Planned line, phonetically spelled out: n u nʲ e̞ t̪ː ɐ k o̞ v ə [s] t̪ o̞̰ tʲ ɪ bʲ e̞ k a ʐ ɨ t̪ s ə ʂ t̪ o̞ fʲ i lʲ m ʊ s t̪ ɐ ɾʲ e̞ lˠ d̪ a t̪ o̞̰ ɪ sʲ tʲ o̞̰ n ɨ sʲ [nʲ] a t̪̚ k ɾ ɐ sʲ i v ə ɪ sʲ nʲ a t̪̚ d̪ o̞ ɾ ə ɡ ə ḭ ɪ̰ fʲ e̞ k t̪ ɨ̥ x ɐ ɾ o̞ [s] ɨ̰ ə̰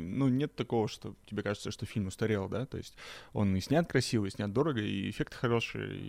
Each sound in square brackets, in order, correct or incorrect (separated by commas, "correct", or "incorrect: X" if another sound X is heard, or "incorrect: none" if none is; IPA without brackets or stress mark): incorrect: ʂ, correct, incorrect: ʂ